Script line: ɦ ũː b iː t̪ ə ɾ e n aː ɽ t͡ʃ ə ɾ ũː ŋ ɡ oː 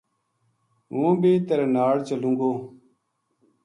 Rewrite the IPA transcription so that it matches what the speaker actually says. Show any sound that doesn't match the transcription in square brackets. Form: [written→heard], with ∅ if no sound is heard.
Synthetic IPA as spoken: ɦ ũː b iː t̪ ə ɾ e n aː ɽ t͡ʃ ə [ɾ→l] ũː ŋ ɡ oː